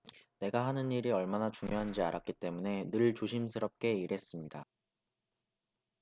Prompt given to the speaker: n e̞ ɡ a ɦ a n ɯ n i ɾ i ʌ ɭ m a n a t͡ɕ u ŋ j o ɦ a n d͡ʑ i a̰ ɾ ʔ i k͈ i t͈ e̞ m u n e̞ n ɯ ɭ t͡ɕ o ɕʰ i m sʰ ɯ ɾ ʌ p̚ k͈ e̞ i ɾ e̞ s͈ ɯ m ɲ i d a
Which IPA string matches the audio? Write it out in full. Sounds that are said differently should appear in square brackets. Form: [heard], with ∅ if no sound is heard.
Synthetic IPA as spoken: n e̞ ɡ a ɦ a n ɯ n i ɾ i ʌ ɭ m a n a t͡ɕ u ŋ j o ɦ a n d͡ʑ i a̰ ɾ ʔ [a] k͈ i t͈ e̞ m u n e̞ n ɯ ɭ t͡ɕ o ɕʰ i m sʰ ɯ ɾ ʌ p̚ k͈ e̞ i ɾ e̞ s͈ ɯ m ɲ i d a